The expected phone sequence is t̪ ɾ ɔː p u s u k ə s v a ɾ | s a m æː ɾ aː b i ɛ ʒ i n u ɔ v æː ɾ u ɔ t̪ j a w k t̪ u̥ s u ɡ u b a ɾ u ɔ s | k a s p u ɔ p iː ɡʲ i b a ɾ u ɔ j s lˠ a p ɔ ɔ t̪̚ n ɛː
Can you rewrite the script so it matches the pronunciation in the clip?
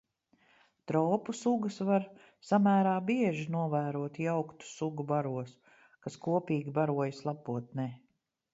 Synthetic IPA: t̪ ɾ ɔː p u s u ɡ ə s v a ɾ | s a m æː ɾ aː b i ɛ ʒ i n u ɔ v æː ɾ u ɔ t̪ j a w k t̪ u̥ s u ɡ u b a ɾ u ɔ s | k a s k u ɔ p iː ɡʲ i b a ɾ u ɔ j s lˠ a p u ɔ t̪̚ n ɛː